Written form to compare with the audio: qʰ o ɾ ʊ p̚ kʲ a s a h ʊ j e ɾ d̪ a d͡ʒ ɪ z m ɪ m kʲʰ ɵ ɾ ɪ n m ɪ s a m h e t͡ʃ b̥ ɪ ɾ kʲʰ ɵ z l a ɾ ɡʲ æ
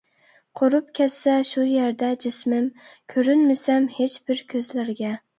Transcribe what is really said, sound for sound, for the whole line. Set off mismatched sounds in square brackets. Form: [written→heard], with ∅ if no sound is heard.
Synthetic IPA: qʰ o ɾ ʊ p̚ kʲ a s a [h→ʃ] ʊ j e ɾ d̪ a d͡ʒ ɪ [z→s] m ɪ m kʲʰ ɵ ɾ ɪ n m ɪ s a m h e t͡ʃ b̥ ɪ ɾ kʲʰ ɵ z l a ɾ ɡʲ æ